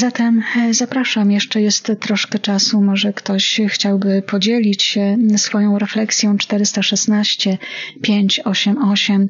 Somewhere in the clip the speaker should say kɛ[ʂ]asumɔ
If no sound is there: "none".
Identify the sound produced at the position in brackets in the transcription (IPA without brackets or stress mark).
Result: t͡ʂ